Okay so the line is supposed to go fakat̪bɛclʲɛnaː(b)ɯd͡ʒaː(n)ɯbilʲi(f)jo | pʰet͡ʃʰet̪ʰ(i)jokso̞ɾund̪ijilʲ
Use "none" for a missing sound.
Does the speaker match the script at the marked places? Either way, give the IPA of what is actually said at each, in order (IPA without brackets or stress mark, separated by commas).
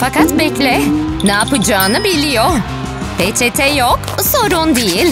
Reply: p, n, none, ɛ